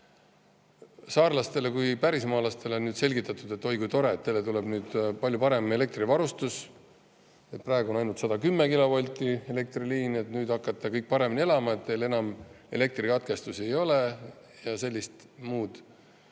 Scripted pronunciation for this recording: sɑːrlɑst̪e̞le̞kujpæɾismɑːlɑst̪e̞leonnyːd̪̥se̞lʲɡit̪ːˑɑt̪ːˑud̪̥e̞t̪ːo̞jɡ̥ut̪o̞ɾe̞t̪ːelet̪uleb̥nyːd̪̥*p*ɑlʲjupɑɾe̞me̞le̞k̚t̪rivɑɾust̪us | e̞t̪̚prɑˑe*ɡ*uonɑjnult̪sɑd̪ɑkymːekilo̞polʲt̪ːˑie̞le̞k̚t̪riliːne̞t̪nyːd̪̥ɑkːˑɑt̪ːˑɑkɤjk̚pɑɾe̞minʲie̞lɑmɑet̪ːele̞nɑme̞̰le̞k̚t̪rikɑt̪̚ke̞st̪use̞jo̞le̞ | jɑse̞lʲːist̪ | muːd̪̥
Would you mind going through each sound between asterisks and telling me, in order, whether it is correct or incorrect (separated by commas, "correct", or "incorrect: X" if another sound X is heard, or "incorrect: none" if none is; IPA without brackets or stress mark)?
correct, correct